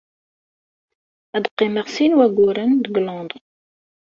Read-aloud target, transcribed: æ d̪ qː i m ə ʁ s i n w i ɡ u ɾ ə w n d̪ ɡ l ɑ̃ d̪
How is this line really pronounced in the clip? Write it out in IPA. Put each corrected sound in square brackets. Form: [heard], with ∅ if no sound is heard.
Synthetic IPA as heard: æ d̪ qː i m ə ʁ s i n w [æ] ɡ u ɾ ə [∅] n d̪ ɡ l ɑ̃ d̪